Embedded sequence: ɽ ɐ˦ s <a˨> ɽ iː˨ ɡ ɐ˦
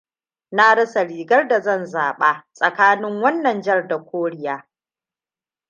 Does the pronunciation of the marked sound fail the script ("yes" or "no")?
no